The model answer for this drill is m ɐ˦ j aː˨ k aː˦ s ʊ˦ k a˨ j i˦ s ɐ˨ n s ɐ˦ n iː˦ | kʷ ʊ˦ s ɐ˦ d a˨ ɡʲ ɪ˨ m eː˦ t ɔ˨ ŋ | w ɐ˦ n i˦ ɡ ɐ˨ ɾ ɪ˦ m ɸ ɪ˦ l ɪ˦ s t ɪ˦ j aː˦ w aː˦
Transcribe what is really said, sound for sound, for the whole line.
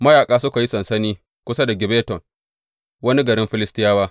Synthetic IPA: m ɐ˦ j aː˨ kʼ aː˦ s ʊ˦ k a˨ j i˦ s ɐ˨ n s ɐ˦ n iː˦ | kʷ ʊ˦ s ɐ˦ d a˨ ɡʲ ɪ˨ b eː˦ t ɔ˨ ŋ | w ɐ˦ n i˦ ɡ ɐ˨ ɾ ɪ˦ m ɸ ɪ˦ l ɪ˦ s t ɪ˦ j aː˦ w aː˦

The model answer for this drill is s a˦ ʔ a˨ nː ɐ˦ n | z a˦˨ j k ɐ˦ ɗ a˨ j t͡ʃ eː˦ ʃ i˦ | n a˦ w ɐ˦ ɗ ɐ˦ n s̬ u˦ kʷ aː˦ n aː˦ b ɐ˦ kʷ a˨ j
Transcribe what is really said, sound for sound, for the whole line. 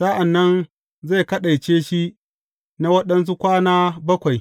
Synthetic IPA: s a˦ ʔ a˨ nː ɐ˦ n | z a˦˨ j k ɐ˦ ɗ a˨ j t͡ʃ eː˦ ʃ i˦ | n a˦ w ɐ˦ ɗ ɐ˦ n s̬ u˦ kʷ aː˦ n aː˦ b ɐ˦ kʷ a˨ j

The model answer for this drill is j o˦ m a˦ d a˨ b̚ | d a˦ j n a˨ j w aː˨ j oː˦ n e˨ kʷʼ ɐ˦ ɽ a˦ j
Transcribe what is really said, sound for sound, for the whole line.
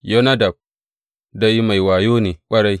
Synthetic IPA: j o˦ n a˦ d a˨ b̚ | d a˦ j m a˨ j w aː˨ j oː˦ n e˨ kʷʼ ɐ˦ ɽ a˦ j

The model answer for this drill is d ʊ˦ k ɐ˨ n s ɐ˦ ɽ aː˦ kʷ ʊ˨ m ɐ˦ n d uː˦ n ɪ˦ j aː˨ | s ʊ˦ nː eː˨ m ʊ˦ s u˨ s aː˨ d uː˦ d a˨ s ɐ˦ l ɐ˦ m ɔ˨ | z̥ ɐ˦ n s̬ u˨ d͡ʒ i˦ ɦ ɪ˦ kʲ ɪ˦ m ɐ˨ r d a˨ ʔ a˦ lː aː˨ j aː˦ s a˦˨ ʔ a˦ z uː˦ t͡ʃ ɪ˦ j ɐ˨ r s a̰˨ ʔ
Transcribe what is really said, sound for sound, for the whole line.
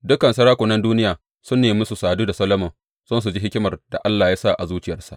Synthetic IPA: d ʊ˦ k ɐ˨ n s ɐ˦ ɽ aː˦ kʷ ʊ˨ n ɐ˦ n d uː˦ n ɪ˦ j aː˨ | s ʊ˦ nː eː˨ m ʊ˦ s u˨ s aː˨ d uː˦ d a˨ s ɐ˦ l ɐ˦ m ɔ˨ | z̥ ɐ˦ n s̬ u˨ d͡ʒ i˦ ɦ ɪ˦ kʲ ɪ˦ m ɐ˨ r d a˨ ʔ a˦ lː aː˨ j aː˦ s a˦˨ ʔ a˨ z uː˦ t͡ʃ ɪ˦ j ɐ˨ r s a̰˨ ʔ

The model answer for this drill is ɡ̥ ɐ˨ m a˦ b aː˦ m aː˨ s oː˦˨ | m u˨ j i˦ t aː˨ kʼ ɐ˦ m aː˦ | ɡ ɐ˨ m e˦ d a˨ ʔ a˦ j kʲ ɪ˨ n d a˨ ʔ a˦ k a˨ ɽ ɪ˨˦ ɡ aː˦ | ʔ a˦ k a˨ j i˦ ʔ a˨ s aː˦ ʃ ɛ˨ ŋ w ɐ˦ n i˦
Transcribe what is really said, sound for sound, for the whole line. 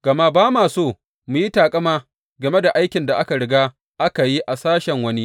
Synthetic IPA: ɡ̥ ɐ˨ m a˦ b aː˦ m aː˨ s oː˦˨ | m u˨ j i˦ t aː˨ kʼ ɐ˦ m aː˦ | ɡ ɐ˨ m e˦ d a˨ ʔ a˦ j kʲ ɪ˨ n d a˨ ʔ a˦ k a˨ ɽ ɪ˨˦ ɡ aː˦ | ʔ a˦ k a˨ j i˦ ʔ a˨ s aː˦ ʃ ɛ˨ ŋ w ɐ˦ n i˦

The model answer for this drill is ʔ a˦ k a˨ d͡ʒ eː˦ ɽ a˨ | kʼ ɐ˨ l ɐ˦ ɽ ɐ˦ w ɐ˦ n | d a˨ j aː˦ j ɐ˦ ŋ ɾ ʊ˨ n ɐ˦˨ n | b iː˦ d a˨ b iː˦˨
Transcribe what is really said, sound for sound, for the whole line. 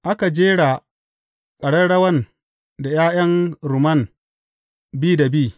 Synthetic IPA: ʔ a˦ k a˨ d͡ʒ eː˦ ɽ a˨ | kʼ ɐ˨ ɽ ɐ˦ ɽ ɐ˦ w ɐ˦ n | d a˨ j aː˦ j ɐ˦ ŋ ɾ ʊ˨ m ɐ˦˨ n | b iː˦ d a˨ b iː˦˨

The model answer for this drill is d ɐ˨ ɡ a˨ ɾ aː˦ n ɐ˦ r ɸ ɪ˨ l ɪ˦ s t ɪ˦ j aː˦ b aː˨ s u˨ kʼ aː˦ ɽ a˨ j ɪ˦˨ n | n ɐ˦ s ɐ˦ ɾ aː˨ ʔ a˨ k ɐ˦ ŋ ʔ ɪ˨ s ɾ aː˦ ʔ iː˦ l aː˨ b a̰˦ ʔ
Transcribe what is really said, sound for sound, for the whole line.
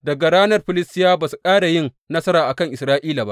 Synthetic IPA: d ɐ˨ ɡ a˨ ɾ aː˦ n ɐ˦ r ɸ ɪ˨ l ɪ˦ s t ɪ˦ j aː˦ b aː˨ s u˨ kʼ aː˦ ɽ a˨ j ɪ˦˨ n | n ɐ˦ s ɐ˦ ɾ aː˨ ʔ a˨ k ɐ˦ ŋ ʔ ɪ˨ s ɾ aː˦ ʔ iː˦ l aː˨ b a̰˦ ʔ

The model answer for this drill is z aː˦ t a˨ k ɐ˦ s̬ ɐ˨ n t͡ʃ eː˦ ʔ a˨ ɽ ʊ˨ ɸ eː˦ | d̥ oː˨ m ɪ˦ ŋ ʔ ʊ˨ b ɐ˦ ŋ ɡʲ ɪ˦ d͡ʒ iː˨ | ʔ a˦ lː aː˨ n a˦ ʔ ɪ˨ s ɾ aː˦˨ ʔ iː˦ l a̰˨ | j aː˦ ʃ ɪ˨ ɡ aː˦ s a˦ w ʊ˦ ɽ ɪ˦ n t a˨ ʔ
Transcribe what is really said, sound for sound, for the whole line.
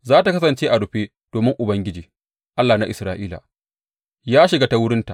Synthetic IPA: z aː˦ t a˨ k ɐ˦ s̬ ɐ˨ n t͡ʃ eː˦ ʔ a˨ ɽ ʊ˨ ɸ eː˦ | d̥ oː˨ m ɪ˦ ŋ ʔ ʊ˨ b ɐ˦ ŋ ɡʲ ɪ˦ d͡ʒ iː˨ | ʔ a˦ lː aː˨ n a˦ ʔ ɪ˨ s ɾ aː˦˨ ʔ iː˦ l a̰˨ | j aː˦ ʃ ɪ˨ ɡ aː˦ t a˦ w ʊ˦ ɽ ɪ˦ n t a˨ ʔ

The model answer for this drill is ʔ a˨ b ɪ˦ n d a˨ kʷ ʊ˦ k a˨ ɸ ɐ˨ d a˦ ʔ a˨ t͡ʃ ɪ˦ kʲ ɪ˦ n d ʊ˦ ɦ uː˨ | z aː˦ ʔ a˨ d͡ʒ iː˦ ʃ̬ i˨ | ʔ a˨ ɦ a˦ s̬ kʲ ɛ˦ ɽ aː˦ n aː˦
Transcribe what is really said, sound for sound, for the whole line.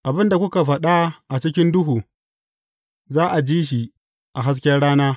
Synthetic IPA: ʔ a˨ b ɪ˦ n d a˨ kʷ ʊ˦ k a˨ ɸ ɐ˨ ɗ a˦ ʔ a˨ t͡ʃ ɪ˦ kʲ ɪ˦ n d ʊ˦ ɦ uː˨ | z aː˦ ʔ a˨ d͡ʒ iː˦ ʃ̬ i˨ | ʔ a˨ ɦ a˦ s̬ kʲ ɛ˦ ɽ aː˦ n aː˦

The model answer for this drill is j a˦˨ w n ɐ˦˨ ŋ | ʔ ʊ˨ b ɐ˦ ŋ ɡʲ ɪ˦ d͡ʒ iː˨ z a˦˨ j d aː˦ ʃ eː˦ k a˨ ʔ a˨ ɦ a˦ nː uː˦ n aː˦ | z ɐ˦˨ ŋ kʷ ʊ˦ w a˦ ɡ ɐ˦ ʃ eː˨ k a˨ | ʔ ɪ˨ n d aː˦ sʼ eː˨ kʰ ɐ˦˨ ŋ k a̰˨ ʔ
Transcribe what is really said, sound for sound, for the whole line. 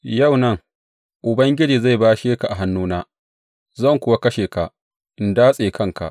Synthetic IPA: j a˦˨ w n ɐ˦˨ ŋ | ʔ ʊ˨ b ɐ˦ ŋ ɡʲ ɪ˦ d͡ʒ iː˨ z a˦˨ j b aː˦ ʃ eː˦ k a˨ ʔ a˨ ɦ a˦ nː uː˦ n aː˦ | z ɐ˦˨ ŋ kʷ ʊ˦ w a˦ k ɐ˦ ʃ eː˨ k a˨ | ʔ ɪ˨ n d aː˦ sʼ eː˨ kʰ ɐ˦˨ ŋ k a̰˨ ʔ

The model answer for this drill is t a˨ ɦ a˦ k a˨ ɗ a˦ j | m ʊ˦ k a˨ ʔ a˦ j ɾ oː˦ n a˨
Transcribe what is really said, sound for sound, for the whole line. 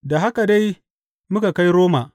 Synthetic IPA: d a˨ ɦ a˦ k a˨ d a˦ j | m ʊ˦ k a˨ k a˦ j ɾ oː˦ m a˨

